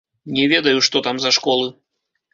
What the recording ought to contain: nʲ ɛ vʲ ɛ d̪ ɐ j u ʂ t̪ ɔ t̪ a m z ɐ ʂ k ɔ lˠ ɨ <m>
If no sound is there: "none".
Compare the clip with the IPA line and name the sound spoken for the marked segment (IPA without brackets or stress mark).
none